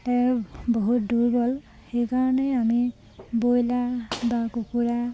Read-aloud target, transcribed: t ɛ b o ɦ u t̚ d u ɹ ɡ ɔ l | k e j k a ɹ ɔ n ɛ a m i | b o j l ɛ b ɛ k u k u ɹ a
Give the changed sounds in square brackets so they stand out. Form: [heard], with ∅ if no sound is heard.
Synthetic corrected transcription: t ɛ b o ɦ u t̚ d u ɹ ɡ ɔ l | [x] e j k a ɹ ɔ n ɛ a m i | b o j l [a] b [a] k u k u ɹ a